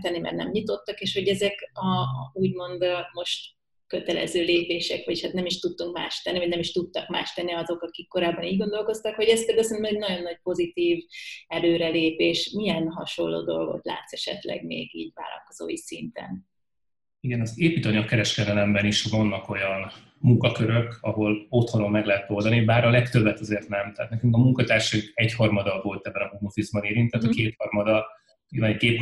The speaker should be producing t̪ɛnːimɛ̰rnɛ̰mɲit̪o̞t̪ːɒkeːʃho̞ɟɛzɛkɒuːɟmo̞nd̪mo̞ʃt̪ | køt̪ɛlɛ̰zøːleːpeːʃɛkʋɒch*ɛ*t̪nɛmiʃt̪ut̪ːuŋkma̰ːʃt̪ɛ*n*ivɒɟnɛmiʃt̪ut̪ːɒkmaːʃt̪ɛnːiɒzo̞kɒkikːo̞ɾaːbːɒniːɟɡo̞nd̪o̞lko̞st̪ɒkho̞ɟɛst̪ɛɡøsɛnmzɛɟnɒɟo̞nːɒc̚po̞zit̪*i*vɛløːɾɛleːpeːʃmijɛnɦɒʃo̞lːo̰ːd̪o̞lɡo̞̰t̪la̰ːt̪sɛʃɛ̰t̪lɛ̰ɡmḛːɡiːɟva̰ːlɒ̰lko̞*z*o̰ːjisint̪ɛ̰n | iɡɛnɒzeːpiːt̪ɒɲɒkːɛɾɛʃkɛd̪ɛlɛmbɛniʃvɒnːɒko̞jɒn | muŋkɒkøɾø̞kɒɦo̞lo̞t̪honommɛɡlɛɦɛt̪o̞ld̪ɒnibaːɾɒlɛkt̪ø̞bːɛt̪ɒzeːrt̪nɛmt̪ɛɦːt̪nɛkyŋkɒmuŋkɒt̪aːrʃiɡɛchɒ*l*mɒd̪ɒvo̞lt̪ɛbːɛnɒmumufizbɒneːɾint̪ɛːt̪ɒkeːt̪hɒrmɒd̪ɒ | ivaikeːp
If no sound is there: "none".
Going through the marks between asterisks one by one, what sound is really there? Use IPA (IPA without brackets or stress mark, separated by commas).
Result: a, nː, iː, z, r